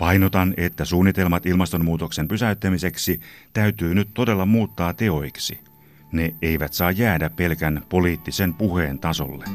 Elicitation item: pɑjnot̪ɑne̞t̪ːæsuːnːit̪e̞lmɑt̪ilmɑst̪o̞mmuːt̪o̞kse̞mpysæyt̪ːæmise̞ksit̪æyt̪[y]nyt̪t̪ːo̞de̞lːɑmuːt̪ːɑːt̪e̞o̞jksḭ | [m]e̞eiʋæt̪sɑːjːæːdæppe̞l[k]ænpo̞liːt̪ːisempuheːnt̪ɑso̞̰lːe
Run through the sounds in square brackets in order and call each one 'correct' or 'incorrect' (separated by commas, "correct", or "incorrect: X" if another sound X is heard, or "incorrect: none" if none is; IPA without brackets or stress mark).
incorrect: yː, incorrect: n, correct